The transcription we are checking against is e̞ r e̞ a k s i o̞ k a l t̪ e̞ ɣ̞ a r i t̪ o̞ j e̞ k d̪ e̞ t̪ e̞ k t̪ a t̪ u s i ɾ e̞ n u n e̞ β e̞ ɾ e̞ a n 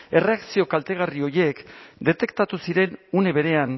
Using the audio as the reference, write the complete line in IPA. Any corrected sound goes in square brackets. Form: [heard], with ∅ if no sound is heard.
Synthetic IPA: e̞ r e̞ a k s i o̞ k a l t̪ e̞ ɣ̞ a r i [∅] o̞ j e̞ k d̪ e̞ t̪ e̞ k t̪ a t̪ u s i ɾ e̞ n u n e̞ β e̞ ɾ e̞ a n

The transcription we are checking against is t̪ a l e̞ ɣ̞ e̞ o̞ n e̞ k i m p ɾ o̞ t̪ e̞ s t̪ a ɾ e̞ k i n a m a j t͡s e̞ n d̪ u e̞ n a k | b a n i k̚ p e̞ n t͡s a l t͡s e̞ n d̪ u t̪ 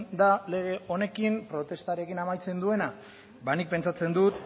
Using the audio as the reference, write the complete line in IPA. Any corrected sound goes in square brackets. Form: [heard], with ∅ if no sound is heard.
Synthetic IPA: [d̪] a l e̞ ɣ̞ e̞ o̞ n e̞ k i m p ɾ o̞ t̪ e̞ s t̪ a ɾ e̞ k i n a m a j t͡s e̞ n d̪ u e̞ n a [∅] | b a n i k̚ p e̞ n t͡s a [∅] t͡s e̞ n d̪ u t̪

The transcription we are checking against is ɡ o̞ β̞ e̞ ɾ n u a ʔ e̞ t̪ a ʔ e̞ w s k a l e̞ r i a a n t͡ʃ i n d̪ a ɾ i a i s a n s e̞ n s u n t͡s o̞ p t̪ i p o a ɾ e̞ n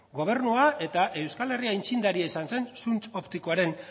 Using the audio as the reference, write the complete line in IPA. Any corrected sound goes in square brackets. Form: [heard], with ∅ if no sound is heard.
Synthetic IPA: ɡ o̞ β̞ e̞ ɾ n u a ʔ e̞ t̪ a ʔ e̞ w s k a l e̞ r i a [i] n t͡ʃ i n d̪ a ɾ i a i s a n s e̞ n s u n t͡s o̞ p t̪ i [k] o a ɾ e̞ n

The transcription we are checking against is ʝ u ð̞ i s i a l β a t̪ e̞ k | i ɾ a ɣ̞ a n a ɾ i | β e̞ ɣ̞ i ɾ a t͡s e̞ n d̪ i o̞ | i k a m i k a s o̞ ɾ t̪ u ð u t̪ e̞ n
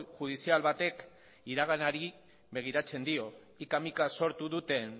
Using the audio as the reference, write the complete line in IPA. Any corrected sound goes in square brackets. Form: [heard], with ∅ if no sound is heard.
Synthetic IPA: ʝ u ð̞ i s i a l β a t̪ e̞ k | i ɾ a ɣ̞ a n a ɾ i | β e̞ ɣ̞ i ɾ a t͡s e̞ n d̪ i o̞ | i k a m i k a s o̞ ɾ t̪ u ð u t̪ e̞ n

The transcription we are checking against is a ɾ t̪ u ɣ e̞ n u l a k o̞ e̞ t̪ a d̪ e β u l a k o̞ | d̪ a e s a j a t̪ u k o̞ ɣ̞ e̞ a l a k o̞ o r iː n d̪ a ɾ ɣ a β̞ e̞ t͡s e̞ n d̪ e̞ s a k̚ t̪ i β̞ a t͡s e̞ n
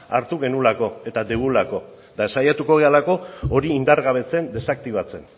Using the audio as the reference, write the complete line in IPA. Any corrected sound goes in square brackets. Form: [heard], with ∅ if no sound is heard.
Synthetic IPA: a ɾ t̪ u ɣ e̞ n u l a k o̞ e̞ t̪ a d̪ e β u l a k o̞ | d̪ a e s a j a t̪ u k o̞ ɣ̞ e̞ a l a k o̞ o [ɾ] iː n d̪ a ɾ ɣ a β̞ e̞ t͡s e̞ n d̪ e̞ s a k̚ t̪ i β̞ a t͡s e̞ n

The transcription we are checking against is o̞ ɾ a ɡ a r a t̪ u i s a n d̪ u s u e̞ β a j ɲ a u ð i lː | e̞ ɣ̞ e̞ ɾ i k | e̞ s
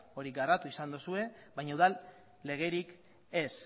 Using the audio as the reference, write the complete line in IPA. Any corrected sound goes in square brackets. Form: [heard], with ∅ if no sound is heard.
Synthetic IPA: o̞ ɾ [i] ɡ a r a t̪ u i s a n d̪ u s u e̞ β a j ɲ a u ð [a] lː | e̞ ɣ̞ e̞ ɾ i k | e̞ s

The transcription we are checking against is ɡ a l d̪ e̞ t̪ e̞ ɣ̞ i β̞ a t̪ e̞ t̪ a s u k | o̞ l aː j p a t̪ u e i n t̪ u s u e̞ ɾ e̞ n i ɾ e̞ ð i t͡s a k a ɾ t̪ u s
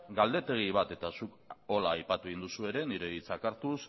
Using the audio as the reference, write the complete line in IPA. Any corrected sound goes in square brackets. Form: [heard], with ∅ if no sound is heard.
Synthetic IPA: ɡ a l d̪ e̞ t̪ e̞ ɣ̞ i β̞ a t̪ e̞ t̪ a s u k | o̞ l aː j p a t̪ u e i n [d̪] u s u e̞ ɾ e̞ n i ɾ e̞ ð i t͡s a k a ɾ t̪ u s

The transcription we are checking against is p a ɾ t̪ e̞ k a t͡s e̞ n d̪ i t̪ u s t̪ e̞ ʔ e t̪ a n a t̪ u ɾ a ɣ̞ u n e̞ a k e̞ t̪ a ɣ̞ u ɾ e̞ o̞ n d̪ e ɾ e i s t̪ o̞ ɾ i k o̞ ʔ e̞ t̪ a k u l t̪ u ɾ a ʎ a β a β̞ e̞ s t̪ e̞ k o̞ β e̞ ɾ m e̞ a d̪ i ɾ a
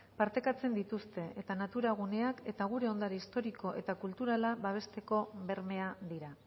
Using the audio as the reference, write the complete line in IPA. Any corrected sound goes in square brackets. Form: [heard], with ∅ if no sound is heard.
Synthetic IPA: p a ɾ t̪ e̞ k a t͡s e̞ n d̪ i t̪ u s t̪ e̞ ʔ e t̪ a n a t̪ u ɾ a ɣ̞ u n e̞ a k e̞ t̪ a ɣ̞ u ɾ e̞ o̞ n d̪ [a] ɾ e i s t̪ o̞ ɾ i k o̞ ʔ e̞ t̪ a k u l t̪ u ɾ a [l] a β a β̞ e̞ s t̪ e̞ k o̞ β e̞ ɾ m e̞ a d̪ i ɾ a

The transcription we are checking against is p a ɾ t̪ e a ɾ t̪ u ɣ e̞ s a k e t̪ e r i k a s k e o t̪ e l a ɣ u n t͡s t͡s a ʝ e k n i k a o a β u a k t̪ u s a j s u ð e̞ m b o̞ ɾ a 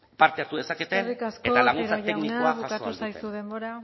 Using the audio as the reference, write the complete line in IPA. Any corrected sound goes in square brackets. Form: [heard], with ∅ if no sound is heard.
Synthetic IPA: p a ɾ t̪ e a ɾ t̪ u [ð] e̞ s a k e t̪ e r i k a s k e o t̪ [a] l a ɣ u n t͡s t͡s a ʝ e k n i k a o a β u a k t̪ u s a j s u ð e̞ m b o̞ ɾ a

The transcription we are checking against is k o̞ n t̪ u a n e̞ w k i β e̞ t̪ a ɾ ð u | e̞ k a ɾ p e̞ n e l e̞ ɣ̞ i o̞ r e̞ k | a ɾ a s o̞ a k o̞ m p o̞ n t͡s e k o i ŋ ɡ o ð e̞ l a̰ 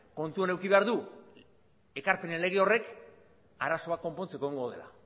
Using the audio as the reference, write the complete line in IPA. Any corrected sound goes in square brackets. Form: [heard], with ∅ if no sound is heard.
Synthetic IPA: k o̞ n t̪ u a n e̞ w k i β e̞ [∅] a ɾ ð u | e̞ k a ɾ p e̞ n e l e̞ ɣ̞ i o̞ r e̞ k | a ɾ a s o̞ a k o̞ m p o̞ n t͡s e k o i ŋ ɡ o ð e̞ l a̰

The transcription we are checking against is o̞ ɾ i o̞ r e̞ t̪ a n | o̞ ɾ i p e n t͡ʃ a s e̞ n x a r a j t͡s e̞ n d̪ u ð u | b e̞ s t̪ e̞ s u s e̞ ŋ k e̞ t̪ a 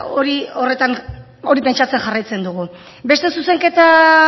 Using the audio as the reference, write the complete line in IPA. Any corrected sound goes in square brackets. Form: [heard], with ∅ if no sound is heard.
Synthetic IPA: o̞ ɾ i o̞ r e̞ t̪ a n | o̞ ɾ i p e n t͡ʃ a [t͡s] e̞ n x a r a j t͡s e̞ n d̪ u [ɣ] u | b e̞ s t̪ e̞ s u s e̞ ŋ k e̞ t̪ a

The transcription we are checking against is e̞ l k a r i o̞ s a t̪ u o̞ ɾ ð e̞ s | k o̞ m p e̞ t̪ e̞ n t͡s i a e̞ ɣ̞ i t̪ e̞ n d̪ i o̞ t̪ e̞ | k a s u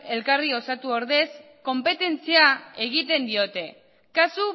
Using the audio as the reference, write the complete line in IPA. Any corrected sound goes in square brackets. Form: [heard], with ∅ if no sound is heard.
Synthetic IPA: e̞ l k a r i o̞ s a t̪ u o̞ ɾ ð e̞ s | k o̞ m p e̞ t̪ e̞ n t͡s i a e̞ ɣ̞ i t̪ e̞ n d̪ i o̞ t̪ e̞ | k a s u

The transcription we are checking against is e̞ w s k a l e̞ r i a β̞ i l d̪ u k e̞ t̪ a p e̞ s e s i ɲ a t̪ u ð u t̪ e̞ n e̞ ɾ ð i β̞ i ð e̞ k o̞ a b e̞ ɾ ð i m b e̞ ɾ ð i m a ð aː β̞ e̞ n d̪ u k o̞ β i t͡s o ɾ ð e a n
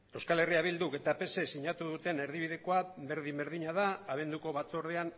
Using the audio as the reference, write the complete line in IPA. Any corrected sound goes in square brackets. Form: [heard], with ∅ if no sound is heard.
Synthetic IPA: e̞ w s k a l e̞ r i a β̞ i l d̪ u k e̞ t̪ a p e̞ s e s i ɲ a t̪ u ð u t̪ e̞ n e̞ ɾ ð i β̞ i ð e̞ k o̞ a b e̞ ɾ ð i m b e̞ ɾ ð i [ɲ] a ð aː β̞ e̞ n d̪ u k o̞ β [a] t͡s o ɾ ð e a n

